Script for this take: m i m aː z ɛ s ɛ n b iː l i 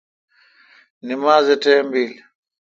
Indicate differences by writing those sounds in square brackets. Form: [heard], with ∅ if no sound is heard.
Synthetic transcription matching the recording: [n] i m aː z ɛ [t] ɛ [m] b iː l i